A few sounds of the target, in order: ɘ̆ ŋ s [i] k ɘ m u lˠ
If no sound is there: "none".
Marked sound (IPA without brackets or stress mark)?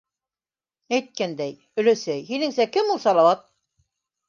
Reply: æ